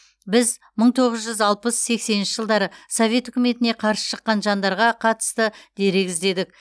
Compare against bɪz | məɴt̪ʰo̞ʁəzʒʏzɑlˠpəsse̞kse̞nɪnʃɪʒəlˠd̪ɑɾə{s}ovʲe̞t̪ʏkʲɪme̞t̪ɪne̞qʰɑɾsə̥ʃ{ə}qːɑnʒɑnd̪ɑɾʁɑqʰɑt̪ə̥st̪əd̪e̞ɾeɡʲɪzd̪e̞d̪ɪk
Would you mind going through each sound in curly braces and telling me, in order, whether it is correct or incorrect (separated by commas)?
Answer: correct, correct